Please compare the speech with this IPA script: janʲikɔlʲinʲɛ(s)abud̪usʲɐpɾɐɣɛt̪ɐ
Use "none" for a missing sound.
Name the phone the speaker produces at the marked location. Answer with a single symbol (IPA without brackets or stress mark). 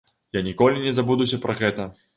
z